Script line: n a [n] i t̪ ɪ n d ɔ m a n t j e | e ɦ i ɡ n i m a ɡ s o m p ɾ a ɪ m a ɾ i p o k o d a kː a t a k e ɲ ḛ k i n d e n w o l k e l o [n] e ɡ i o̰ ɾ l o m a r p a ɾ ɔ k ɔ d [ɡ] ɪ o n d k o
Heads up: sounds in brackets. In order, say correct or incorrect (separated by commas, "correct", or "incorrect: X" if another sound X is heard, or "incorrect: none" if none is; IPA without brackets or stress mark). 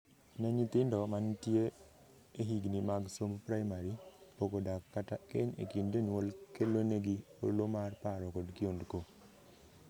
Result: incorrect: ɲ, correct, incorrect: k